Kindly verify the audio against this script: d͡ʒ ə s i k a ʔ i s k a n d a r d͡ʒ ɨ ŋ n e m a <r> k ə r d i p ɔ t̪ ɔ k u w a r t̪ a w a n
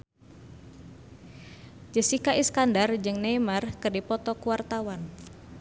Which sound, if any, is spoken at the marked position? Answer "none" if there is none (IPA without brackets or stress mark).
r